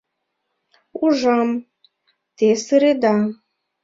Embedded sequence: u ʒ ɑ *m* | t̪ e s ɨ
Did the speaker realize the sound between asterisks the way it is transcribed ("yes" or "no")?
yes